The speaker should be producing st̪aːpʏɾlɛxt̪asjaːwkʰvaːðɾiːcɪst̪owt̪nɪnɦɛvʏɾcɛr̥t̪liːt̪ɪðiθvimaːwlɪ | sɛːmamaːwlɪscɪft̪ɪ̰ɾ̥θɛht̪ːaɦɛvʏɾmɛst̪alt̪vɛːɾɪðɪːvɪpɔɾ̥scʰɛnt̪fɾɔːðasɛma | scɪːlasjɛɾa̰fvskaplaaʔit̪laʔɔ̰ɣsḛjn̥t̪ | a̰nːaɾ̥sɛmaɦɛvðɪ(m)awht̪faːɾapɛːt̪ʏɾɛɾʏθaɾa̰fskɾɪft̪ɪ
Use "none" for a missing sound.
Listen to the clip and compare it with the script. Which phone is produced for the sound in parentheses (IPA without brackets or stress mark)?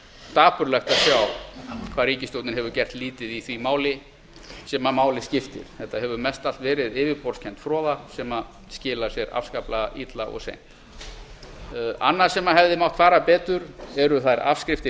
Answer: m